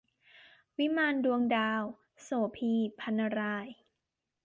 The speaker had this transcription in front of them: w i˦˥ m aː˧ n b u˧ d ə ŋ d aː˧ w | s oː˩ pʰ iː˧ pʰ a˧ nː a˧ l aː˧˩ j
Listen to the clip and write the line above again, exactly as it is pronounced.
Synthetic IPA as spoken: w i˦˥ m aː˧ n d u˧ ə ŋ d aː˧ w | s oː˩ pʰ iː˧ pʰ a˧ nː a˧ ɾ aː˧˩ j